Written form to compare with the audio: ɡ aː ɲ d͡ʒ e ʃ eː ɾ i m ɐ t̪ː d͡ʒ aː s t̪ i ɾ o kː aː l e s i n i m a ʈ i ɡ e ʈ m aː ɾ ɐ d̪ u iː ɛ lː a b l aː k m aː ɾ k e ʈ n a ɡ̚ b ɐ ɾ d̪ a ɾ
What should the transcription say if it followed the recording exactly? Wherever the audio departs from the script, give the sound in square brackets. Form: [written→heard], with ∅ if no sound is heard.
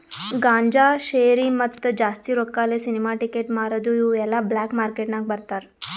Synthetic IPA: ɡ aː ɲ d͡ʒ [e→a] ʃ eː ɾ i m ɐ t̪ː d͡ʒ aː s t̪ i ɾ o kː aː l e s i n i m a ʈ i [ɡ→k] e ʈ m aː ɾ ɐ d̪ u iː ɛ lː a b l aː k m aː ɾ k e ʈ n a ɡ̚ b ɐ ɾ [d̪→t̪] a ɾ